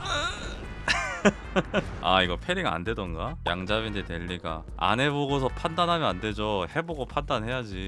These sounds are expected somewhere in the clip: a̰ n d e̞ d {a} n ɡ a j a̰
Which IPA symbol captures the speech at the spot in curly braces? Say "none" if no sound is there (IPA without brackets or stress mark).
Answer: ʌ